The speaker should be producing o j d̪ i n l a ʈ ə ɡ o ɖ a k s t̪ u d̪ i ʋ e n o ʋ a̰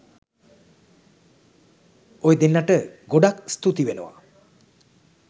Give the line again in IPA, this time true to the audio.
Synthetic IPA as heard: o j d̪ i n l a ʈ ə ɡ o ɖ a k s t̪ u t̪ i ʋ e n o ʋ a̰